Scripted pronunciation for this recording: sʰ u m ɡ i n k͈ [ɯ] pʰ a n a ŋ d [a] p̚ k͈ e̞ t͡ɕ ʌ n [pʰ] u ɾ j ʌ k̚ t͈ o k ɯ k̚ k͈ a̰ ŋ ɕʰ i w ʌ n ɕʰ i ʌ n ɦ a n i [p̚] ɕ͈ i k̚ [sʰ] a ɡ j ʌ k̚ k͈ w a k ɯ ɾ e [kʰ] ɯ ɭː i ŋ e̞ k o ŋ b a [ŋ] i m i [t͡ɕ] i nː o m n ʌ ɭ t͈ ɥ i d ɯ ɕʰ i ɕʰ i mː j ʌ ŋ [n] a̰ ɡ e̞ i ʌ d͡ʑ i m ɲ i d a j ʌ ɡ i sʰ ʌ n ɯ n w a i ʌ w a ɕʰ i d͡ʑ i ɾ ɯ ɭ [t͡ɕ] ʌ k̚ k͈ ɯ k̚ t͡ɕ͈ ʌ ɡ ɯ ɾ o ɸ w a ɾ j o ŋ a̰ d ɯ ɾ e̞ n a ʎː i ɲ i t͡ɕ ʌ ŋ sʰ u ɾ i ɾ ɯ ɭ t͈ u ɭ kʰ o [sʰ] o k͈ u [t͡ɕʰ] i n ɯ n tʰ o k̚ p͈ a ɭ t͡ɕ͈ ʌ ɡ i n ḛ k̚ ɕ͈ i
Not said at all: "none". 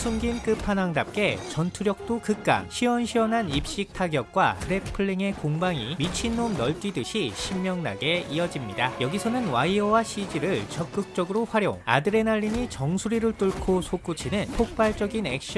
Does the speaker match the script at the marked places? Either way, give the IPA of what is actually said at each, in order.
ɯ, a, tʰ, p̚, tʰ, pʰ, ŋ, t͡ɕʰ, n, t͡ɕ, sʰ, t͡ɕʰ

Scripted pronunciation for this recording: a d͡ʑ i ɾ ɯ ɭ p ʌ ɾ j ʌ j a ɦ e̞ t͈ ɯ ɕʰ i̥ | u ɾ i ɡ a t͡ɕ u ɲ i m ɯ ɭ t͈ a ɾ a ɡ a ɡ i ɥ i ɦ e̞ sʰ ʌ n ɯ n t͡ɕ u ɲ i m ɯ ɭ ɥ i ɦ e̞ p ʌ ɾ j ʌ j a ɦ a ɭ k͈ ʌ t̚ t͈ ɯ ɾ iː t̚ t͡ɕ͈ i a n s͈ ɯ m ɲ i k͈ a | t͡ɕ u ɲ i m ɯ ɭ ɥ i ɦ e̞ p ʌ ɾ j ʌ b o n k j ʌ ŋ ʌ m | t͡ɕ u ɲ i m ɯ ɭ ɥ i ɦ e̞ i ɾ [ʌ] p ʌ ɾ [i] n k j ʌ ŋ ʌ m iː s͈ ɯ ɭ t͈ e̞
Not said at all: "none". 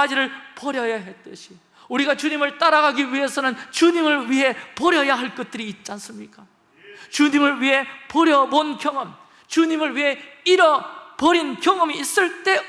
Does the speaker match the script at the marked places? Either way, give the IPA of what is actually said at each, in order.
ʌ, i

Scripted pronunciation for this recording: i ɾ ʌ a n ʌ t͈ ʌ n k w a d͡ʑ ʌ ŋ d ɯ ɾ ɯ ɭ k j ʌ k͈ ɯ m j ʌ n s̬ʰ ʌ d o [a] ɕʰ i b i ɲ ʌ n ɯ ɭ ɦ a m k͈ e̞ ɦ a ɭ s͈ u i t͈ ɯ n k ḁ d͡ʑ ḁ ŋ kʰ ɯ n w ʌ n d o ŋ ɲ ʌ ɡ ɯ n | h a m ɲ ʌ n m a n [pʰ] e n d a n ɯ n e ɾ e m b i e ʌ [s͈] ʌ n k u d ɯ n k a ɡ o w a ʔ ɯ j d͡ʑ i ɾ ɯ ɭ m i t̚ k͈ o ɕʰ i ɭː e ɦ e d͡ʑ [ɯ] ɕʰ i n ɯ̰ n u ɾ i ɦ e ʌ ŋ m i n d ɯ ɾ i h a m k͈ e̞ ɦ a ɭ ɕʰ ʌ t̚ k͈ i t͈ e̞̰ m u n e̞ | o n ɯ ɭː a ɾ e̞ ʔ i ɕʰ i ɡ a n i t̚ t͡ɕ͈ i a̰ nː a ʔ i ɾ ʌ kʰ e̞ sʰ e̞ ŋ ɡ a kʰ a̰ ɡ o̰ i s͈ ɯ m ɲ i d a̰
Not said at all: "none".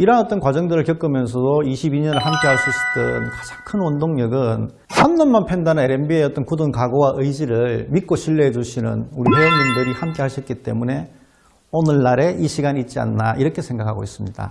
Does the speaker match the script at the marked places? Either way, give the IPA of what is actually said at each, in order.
i, pʰ, t͈, u

